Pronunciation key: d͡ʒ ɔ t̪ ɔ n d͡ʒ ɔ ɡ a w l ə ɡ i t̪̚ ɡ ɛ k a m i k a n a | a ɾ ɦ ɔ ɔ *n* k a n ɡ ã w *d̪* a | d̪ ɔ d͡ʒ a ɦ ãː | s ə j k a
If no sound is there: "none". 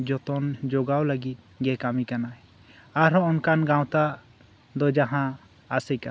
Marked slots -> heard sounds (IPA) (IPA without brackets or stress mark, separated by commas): n, t̪